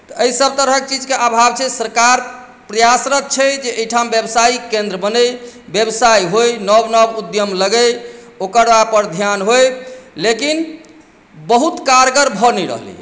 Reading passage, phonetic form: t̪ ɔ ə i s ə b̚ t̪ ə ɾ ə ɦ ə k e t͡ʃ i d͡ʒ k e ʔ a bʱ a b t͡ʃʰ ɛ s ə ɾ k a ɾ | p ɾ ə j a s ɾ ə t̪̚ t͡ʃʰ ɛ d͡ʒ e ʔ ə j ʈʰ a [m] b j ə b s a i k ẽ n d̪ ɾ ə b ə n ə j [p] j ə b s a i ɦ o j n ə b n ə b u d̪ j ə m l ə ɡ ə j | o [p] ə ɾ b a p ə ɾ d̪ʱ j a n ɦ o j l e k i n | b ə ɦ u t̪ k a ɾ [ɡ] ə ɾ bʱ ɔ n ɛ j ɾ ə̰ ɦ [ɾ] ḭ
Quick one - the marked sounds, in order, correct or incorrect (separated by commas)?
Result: correct, incorrect, incorrect, correct, incorrect